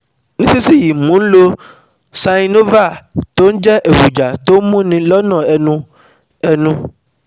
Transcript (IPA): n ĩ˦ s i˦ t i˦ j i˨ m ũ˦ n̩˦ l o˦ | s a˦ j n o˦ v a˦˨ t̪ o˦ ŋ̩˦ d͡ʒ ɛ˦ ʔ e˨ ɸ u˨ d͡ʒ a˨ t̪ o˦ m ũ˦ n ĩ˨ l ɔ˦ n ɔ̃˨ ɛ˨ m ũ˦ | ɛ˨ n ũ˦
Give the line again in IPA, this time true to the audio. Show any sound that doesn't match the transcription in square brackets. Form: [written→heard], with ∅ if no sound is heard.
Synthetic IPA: n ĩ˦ s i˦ [t→s] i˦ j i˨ m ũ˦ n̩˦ l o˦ | s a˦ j n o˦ v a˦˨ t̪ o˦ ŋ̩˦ d͡ʒ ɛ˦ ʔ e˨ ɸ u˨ d͡ʒ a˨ t̪ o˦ m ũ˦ n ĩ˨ l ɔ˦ n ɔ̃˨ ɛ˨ [m→n] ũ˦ | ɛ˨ n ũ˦